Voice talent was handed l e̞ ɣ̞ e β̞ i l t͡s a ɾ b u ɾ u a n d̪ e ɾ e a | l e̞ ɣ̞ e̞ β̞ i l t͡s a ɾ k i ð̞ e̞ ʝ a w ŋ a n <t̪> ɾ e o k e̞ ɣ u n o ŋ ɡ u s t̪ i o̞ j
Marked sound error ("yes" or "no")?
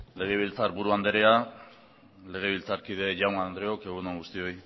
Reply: yes